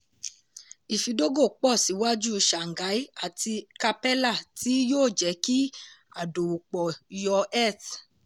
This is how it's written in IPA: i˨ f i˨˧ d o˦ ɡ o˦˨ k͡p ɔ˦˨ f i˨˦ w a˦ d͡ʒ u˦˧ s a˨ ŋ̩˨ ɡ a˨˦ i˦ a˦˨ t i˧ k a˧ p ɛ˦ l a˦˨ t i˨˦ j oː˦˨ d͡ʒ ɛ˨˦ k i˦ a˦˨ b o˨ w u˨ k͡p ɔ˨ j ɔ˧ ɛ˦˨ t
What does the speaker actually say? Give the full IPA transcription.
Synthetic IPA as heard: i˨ f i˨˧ d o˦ ɡ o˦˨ k͡p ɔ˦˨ s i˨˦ w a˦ d͡ʒ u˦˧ ʃ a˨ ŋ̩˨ ɡ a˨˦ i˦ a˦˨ t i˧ k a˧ p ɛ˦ l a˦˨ t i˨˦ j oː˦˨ d͡ʒ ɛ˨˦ k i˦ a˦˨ d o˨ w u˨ k͡p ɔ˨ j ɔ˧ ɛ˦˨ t